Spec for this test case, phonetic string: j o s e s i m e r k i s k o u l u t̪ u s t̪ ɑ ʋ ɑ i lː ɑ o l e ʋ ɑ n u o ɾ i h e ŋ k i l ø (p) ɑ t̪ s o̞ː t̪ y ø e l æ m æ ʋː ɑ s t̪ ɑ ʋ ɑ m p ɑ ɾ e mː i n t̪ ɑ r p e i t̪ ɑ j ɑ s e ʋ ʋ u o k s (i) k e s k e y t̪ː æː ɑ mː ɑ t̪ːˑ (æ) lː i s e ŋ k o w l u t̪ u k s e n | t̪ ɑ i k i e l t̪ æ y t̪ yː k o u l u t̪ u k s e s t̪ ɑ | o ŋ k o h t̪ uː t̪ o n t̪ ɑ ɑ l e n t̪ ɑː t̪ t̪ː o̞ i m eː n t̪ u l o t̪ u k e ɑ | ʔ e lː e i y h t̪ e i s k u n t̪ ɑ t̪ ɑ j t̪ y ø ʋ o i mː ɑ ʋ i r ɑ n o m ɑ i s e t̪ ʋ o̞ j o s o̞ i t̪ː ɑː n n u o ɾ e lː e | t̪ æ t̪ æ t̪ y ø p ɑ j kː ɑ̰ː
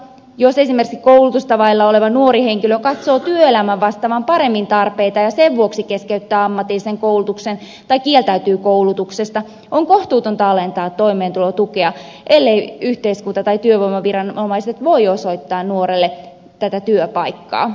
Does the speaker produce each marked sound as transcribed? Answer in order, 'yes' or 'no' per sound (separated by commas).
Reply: no, yes, no